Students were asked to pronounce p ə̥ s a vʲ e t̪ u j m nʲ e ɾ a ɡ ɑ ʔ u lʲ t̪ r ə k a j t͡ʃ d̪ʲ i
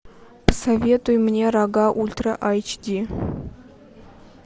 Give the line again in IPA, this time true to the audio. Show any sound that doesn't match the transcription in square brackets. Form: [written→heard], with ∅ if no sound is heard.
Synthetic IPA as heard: p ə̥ s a vʲ e t̪ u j m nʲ e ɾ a ɡ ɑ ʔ u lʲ t̪ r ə [k→ʔ] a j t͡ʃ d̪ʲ i